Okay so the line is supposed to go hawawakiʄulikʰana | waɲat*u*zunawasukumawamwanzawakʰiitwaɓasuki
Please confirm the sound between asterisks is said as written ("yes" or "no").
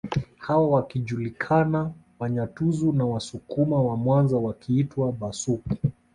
yes